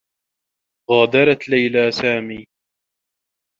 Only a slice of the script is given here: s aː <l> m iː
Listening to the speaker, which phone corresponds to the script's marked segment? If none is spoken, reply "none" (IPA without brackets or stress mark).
none